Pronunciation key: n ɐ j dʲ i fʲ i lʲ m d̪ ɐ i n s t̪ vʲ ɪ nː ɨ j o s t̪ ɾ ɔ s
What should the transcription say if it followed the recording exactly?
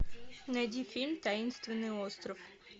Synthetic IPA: n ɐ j dʲ i fʲ i lʲ m t̪ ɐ i n s t̪ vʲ ɪ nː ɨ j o s t̪ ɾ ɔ f

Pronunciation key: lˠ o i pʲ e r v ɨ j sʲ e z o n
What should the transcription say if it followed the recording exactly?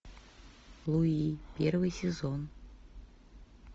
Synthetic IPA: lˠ u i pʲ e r v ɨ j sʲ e z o n

